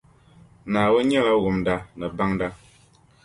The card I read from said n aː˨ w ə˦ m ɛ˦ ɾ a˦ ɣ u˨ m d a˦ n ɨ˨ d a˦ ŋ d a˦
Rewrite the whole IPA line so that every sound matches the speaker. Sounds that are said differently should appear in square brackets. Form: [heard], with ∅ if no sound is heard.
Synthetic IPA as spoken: n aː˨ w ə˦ [ɲ] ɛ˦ [l] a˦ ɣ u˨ m d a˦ n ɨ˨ [b] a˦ ŋ d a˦